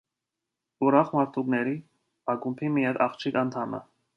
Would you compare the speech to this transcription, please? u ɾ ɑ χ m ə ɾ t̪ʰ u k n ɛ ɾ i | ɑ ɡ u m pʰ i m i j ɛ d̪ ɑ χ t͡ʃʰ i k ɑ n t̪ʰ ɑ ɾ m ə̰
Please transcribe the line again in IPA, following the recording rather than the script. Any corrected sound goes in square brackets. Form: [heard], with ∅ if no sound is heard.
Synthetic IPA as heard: u ɾ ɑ χ m [ɑ] ɾ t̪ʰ u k n ɛ ɾ i | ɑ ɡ u m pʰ i m i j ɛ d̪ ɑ χ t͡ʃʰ i k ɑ n t̪ʰ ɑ [∅] m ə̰